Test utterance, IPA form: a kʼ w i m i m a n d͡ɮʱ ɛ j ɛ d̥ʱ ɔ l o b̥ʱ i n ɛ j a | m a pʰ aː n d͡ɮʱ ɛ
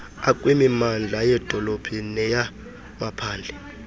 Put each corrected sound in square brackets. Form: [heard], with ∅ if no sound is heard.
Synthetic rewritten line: a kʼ w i m i m a n d͡ɮʱ [a] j ɛ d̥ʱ ɔ l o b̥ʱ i n ɛ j a | m a pʰ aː n d͡ɮʱ ɛ